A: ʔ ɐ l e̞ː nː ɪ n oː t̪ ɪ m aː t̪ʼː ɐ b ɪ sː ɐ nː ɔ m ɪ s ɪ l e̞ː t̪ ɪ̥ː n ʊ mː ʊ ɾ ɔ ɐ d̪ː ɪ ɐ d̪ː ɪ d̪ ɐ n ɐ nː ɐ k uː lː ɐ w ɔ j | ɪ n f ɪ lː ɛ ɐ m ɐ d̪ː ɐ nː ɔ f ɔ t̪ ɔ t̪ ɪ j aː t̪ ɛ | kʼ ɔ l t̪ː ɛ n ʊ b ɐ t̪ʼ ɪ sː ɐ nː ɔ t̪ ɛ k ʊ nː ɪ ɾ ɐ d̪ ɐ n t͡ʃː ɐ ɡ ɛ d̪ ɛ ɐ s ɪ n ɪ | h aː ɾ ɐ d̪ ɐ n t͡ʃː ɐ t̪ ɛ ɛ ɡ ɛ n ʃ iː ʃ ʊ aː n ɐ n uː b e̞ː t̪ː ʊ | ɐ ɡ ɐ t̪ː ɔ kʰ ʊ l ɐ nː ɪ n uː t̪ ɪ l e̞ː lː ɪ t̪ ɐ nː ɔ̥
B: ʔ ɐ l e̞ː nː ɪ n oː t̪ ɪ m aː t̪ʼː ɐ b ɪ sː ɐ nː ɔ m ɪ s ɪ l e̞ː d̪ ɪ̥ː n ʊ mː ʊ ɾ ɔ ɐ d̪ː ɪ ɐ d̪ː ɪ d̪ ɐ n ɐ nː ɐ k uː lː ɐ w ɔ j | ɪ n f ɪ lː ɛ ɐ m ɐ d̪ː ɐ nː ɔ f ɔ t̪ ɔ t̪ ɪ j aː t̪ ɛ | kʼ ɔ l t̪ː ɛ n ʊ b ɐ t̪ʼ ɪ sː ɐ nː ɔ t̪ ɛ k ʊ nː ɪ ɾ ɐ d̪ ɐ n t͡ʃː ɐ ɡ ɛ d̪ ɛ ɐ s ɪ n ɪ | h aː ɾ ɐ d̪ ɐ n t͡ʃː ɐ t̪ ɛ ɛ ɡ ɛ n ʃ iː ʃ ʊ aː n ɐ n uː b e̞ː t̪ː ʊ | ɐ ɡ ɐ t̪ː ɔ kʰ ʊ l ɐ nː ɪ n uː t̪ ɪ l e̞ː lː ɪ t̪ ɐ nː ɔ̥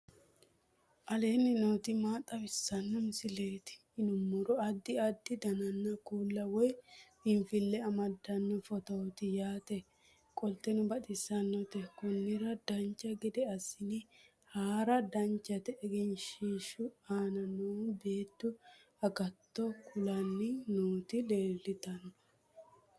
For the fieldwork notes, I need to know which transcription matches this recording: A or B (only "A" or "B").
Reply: A